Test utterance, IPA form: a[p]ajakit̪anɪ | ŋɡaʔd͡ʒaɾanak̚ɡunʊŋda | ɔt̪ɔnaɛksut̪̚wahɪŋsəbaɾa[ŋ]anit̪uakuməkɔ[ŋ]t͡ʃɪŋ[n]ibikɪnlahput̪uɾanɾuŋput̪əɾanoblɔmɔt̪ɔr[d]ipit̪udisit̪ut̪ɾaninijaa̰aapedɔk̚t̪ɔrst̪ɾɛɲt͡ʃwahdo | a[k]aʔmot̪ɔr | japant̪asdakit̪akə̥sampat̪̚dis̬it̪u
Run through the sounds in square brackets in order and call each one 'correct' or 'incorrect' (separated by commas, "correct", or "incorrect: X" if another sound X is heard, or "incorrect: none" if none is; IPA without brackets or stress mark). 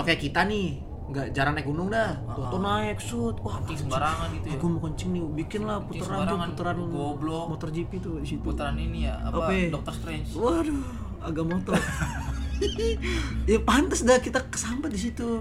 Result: incorrect: k, correct, incorrect: ɲ, correct, incorrect: d͡ʒ, incorrect: ɡ